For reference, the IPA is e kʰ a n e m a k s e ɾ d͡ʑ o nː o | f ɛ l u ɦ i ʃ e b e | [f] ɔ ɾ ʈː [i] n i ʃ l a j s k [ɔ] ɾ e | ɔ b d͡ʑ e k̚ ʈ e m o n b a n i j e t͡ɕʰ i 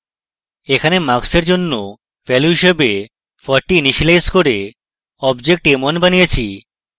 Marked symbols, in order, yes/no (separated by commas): yes, yes, no